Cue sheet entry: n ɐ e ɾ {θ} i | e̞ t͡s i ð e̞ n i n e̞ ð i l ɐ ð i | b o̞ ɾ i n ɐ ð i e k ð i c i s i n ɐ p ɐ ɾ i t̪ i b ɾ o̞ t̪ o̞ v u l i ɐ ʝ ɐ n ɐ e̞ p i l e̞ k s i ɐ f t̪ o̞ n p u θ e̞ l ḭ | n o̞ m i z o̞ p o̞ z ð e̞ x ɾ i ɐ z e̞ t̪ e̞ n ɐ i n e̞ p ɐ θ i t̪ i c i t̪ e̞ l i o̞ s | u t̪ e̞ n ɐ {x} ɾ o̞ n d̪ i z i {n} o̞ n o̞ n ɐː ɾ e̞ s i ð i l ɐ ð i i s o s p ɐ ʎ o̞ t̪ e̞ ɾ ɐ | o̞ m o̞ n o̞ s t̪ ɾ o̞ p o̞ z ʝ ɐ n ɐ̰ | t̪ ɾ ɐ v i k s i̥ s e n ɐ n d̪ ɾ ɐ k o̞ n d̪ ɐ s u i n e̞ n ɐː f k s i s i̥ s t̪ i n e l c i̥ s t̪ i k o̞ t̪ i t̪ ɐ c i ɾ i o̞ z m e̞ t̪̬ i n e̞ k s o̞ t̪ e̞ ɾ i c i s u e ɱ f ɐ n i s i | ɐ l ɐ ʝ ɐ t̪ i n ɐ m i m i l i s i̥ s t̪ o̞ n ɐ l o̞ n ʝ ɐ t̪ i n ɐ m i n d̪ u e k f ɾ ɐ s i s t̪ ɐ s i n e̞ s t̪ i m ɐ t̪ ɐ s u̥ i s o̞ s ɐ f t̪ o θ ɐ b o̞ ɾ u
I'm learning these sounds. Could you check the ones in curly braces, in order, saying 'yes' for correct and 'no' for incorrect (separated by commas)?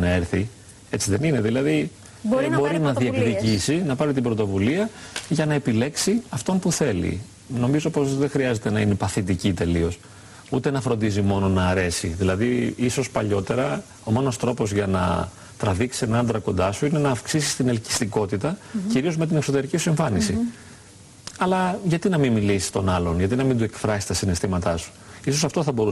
yes, no, no